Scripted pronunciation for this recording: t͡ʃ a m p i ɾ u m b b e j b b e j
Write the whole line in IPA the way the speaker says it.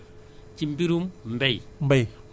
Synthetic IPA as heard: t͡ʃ i m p i ɾ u m m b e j m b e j